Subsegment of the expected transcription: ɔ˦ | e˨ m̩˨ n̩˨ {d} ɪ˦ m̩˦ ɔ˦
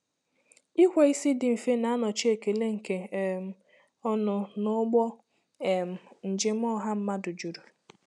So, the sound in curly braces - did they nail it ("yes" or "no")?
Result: no